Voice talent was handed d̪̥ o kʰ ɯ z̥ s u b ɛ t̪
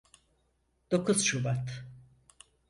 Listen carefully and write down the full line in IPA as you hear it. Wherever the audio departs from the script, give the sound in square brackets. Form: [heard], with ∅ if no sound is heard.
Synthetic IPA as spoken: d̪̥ o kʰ [u] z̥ [ʃ] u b [a] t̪